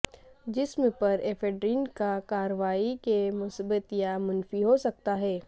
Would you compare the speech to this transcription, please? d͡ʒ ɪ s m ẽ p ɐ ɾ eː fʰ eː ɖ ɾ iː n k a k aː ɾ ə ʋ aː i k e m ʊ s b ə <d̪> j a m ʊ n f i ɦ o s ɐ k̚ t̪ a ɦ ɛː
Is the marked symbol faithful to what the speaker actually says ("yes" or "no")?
no